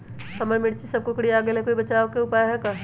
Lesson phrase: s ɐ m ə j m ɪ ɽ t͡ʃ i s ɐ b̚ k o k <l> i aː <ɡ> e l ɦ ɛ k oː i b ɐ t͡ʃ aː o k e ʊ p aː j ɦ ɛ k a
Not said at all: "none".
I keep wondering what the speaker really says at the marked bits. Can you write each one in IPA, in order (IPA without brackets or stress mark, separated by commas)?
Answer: ɽ, ɡ